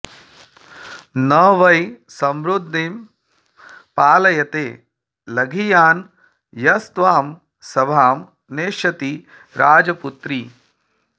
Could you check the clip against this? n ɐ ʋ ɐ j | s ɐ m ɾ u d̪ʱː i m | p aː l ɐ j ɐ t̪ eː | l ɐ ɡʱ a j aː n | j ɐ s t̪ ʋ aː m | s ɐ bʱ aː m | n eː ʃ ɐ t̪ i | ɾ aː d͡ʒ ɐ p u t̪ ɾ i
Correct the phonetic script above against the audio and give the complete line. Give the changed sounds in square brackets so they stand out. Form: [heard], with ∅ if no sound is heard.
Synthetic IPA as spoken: n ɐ ʋ ɐ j | s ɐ m ɾ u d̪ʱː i m | p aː l ɐ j ɐ t̪ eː | l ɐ ɡʱ [i] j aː n | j ɐ s t̪ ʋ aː m | s ɐ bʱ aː m | n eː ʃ ɐ t̪ i | ɾ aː d͡ʒ ɐ p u t̪ ɾ i